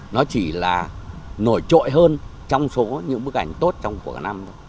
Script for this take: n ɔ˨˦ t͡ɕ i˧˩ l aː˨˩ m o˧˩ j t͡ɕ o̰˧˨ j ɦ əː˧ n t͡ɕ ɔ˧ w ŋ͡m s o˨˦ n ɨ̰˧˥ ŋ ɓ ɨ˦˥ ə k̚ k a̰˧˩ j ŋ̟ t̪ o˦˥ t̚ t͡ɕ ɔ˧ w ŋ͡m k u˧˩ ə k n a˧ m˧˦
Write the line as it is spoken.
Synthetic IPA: n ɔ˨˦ t͡ɕ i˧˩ l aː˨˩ n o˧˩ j t͡ɕ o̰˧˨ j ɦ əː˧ n t͡ɕ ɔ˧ w ŋ͡m s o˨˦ ɲ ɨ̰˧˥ ŋ ɓ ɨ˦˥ ə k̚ ʔ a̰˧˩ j ŋ̟ t̪ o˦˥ t̚ t͡ɕ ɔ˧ w ŋ͡m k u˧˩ ə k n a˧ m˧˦